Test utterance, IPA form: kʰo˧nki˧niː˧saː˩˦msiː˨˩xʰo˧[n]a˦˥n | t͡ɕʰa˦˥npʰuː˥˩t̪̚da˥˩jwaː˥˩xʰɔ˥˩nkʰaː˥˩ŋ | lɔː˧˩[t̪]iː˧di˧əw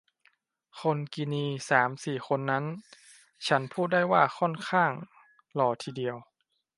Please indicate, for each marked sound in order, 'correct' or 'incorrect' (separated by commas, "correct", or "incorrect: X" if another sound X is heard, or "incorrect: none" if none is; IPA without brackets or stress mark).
incorrect: nː, incorrect: t̪ʰ